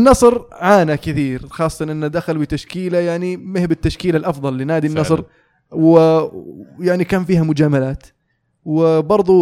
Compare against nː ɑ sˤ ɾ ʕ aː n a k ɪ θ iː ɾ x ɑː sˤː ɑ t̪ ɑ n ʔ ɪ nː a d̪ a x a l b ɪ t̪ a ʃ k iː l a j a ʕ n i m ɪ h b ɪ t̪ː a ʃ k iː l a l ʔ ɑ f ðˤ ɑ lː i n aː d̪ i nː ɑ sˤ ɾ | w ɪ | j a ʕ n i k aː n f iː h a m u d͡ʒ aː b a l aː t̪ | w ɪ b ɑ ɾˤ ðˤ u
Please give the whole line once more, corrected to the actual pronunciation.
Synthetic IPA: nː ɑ sˤ ɾ ʕ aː n a k ɪ θ iː ɾ x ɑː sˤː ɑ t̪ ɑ n ʔ ɪ nː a d̪ a x a l b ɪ t̪ a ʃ k iː l a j a ʕ n i m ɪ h b ɪ t̪ː a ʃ k iː l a l ʔ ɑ f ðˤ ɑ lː i n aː d̪ i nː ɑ sˤ ɾ | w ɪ | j a ʕ n i k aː n f iː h a m ʊ d͡ʒ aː m a l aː t̪ | w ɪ b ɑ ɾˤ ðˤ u